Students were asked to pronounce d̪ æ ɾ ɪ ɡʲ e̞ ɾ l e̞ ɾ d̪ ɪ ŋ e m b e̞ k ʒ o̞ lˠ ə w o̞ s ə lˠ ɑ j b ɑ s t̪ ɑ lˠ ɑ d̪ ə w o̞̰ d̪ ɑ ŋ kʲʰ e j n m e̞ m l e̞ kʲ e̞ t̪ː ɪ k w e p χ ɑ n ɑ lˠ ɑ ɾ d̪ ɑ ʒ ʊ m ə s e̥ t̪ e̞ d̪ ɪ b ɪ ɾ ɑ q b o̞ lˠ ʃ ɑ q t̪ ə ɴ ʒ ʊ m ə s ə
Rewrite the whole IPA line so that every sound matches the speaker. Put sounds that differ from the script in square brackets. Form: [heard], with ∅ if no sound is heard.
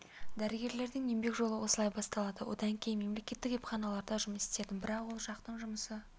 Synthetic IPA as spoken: d̪ æ ɾ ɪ ɡʲ e̞ ɾ l e̞ ɾ d̪ ɪ ŋ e m b e̞ k ʒ o̞ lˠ ə w o̞ s ə lˠ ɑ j b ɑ s t̪ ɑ lˠ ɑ d̪ ə w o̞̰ d̪ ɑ ŋ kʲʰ e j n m e̞ m l e̞ kʲ e̞ t̪ː ɪ k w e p χ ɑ n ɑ lˠ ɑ ɾ d̪ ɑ ʒ ʊ m ə s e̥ t̪ e̞ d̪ ɪ b ɪ ɾ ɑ q [w] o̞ lˠ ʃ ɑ q t̪ ə ɴ ʒ ʊ m ə s ə